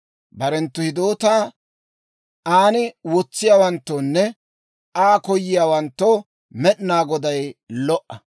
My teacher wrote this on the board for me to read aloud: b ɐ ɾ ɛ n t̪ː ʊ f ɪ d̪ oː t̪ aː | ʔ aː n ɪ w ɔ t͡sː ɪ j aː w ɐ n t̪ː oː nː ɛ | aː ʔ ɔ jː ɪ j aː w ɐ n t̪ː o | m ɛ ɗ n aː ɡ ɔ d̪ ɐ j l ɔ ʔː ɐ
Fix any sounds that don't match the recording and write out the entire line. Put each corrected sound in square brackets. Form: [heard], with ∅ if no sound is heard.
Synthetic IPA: b ɐ ɾ ɛ n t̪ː ʊ [h] ɪ d̪ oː t̪ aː | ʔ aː n ɪ w ɔ t͡sː ɪ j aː w ɐ n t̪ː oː nː ɛ | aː [k] ɔ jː ɪ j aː w ɐ n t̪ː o | m ɛ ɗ n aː ɡ ɔ d̪ ɐ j l ɔ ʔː ɐ